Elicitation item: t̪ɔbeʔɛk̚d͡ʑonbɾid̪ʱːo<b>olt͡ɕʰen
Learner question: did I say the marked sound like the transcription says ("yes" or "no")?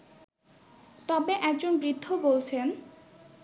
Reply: yes